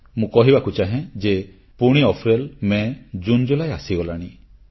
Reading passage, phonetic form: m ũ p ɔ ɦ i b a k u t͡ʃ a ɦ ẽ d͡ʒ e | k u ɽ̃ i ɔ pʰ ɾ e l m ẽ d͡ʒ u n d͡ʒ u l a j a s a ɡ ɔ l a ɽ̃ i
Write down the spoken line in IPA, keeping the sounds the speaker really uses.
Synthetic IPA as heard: m ũ k ɔ ɦ i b a k u t͡ʃ a ɦ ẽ d͡ʒ e | p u ɽ̃ i ɔ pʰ ɾ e l m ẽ d͡ʒ u n d͡ʒ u l a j a s i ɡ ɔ l a ɽ̃ i